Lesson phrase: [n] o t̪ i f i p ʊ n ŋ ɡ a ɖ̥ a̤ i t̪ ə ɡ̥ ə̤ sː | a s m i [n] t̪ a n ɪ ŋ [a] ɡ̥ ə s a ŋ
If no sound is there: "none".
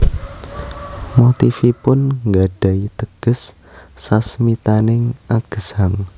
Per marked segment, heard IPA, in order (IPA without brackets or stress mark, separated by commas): m, none, a